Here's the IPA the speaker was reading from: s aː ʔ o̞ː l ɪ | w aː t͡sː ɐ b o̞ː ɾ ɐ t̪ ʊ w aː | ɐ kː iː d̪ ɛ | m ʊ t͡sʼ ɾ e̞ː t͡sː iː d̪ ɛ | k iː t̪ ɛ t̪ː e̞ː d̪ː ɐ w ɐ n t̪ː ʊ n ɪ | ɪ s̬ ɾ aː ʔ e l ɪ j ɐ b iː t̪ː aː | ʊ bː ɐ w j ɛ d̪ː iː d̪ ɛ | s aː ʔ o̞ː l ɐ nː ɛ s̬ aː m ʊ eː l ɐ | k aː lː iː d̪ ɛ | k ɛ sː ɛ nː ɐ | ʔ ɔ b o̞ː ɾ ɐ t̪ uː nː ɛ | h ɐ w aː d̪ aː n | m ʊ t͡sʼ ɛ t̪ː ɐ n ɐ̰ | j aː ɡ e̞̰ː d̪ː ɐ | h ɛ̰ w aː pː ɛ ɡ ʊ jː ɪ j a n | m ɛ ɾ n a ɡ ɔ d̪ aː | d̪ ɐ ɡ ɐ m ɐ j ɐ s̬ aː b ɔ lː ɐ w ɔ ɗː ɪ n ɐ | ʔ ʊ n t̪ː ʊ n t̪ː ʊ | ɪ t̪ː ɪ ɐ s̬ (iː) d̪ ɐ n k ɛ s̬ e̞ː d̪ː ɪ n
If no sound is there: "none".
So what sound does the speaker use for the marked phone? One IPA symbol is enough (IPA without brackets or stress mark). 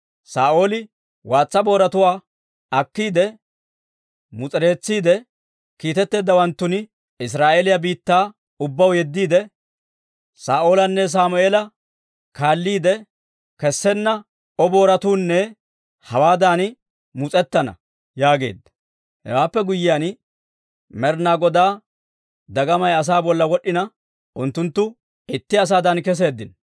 aː